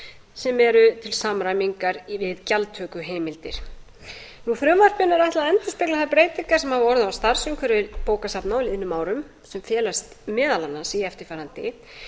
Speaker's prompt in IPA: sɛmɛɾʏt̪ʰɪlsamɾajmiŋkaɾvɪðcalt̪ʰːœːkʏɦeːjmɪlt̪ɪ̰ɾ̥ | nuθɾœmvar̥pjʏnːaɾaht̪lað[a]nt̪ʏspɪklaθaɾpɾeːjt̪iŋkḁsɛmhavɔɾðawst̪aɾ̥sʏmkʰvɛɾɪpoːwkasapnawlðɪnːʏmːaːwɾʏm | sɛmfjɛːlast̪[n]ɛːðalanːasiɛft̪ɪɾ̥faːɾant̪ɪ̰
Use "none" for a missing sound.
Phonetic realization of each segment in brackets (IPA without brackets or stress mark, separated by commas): ɛ, m